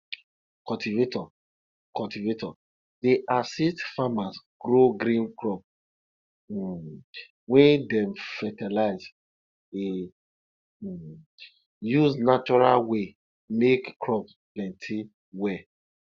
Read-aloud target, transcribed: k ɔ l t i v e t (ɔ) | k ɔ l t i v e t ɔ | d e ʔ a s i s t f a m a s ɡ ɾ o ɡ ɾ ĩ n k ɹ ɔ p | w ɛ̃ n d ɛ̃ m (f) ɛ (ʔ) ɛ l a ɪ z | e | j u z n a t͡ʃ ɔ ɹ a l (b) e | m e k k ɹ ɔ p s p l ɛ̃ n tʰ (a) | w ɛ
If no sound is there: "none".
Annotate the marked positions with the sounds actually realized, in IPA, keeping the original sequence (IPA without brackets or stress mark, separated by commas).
ɔ, f, t, w, i